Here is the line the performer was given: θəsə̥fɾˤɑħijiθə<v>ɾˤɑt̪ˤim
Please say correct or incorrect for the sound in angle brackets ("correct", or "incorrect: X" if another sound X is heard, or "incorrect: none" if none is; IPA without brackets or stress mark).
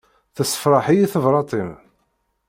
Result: correct